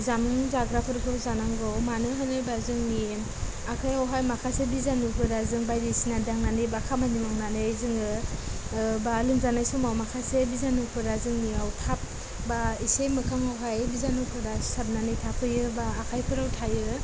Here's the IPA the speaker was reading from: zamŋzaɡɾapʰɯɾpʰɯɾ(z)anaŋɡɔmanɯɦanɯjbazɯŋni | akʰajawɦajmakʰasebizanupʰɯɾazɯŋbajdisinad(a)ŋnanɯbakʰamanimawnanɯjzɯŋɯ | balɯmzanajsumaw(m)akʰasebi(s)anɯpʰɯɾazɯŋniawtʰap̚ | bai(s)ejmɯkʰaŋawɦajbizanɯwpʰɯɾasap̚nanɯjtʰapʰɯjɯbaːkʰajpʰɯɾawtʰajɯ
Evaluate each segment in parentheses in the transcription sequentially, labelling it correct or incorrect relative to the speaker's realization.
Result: correct, correct, correct, incorrect, correct

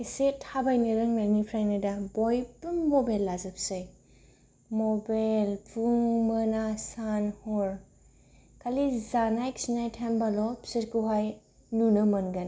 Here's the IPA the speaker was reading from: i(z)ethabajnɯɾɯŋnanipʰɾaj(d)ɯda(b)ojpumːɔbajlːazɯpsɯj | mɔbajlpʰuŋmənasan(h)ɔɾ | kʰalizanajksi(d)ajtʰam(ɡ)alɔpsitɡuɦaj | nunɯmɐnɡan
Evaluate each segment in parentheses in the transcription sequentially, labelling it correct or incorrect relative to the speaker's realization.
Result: incorrect, incorrect, correct, correct, incorrect, incorrect

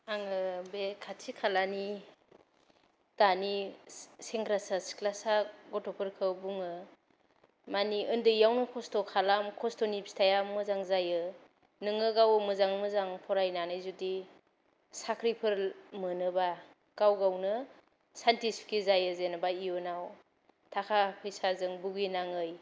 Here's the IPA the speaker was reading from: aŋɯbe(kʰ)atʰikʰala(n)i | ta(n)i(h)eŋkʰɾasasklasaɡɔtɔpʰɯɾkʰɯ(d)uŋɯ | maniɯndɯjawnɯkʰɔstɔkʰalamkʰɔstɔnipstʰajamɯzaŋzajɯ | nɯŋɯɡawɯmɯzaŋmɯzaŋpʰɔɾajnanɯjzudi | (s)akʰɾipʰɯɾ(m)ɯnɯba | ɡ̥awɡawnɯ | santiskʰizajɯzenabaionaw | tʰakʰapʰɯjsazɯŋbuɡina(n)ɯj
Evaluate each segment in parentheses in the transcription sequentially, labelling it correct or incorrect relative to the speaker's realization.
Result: correct, correct, correct, incorrect, incorrect, correct, correct, incorrect

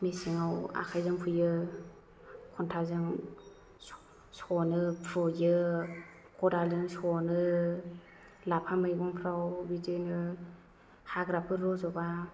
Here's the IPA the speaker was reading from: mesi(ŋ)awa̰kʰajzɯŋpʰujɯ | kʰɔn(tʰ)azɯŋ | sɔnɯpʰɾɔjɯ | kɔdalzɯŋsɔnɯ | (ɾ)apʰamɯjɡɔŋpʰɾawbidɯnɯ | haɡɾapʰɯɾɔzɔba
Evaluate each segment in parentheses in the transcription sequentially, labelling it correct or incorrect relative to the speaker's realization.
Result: correct, correct, incorrect

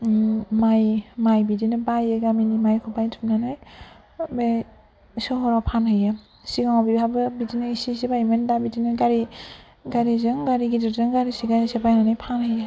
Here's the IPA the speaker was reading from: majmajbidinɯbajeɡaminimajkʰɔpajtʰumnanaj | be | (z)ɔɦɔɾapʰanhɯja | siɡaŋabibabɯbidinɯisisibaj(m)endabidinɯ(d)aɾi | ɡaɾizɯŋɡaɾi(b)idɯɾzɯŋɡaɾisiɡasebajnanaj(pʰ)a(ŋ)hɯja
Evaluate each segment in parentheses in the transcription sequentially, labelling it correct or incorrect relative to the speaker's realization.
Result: incorrect, correct, incorrect, incorrect, correct, incorrect

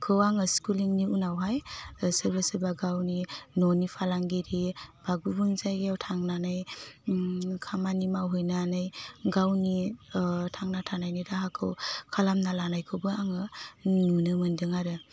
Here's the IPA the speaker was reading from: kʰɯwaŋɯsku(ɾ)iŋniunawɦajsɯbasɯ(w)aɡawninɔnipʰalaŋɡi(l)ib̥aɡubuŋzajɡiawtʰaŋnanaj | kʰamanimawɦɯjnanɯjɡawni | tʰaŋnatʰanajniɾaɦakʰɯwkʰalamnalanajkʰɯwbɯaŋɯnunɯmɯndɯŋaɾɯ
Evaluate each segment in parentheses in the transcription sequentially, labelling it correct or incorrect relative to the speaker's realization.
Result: incorrect, incorrect, incorrect

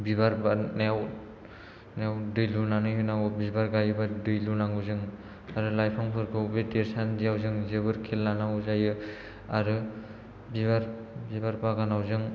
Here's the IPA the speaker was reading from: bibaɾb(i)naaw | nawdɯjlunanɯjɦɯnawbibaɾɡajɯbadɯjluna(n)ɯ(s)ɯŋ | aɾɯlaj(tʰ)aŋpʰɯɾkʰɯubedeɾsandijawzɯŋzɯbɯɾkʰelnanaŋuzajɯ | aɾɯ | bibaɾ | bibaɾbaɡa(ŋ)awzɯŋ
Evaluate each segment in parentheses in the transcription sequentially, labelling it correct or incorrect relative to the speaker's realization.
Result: incorrect, incorrect, incorrect, incorrect, incorrect

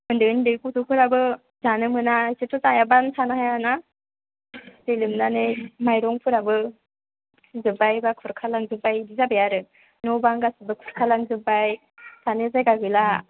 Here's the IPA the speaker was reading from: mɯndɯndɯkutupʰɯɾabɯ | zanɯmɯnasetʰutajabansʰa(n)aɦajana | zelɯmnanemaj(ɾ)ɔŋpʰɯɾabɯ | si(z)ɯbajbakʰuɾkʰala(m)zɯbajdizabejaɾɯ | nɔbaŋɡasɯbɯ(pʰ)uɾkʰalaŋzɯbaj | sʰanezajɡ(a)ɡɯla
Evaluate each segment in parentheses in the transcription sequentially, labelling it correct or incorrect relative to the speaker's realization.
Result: correct, correct, correct, incorrect, incorrect, correct

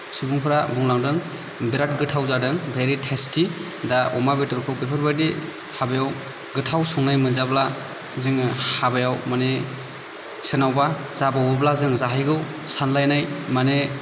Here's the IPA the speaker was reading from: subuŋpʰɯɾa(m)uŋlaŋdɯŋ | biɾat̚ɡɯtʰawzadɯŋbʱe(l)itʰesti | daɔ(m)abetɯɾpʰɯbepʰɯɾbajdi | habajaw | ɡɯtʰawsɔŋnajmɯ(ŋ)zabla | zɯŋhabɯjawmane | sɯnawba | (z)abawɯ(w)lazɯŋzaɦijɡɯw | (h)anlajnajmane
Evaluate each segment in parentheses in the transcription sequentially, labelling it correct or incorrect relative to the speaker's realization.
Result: incorrect, incorrect, correct, incorrect, correct, incorrect, incorrect

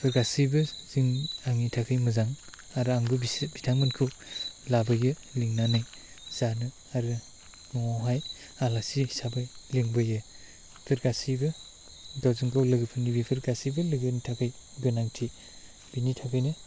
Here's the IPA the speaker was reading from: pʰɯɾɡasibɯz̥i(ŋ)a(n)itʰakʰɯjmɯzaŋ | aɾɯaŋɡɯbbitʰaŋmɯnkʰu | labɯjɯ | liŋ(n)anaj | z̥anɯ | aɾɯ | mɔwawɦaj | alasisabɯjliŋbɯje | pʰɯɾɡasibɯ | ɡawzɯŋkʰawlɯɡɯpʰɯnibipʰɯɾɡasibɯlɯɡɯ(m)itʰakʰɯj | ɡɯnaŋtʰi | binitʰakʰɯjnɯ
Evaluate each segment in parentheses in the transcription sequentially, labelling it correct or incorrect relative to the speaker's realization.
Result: correct, incorrect, correct, incorrect

